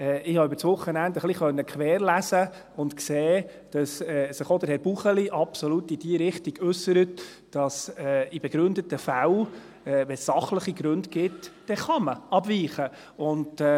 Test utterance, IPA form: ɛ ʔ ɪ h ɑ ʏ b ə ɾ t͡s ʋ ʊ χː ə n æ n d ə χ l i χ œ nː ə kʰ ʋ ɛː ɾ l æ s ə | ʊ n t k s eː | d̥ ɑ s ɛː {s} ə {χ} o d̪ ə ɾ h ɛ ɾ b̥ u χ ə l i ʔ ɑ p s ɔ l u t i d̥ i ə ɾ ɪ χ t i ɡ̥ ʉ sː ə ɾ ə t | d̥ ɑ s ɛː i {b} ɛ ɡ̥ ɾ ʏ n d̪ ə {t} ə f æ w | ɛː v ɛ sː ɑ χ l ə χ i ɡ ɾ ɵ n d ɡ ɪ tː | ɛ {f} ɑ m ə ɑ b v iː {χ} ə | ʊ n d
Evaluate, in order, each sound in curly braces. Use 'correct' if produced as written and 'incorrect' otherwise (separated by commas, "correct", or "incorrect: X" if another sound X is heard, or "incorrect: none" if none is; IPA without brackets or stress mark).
correct, correct, correct, correct, incorrect: χ, correct